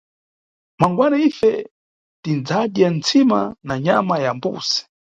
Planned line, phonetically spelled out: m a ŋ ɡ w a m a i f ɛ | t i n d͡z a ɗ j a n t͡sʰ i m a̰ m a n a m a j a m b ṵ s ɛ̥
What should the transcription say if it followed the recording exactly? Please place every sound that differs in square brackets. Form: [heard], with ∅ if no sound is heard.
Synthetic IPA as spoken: m a ŋ ɡ w a [n] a i f ɛ | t i n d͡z a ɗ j a n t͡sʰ i m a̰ [n] a [ɲ] a m a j a m b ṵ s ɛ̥